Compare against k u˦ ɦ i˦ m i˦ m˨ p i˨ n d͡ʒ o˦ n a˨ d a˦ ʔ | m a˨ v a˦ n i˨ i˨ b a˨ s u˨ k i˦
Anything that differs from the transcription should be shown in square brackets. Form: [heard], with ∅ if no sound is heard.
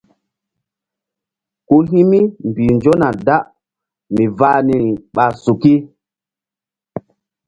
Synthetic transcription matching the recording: k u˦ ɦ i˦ m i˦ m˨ [b] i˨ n d͡ʒ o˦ n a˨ d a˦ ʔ | m [i˨] v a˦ n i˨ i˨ [ɓ] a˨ s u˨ k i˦